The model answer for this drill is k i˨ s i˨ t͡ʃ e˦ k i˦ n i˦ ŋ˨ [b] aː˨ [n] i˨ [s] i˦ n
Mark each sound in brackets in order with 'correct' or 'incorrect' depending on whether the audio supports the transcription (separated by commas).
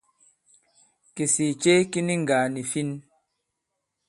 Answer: incorrect, correct, incorrect